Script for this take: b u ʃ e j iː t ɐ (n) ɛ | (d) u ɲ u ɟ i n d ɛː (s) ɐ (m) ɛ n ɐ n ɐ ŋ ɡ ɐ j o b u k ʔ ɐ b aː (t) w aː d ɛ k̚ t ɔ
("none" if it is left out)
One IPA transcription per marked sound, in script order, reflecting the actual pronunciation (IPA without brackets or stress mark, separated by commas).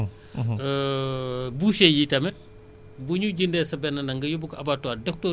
m, b, s, b, t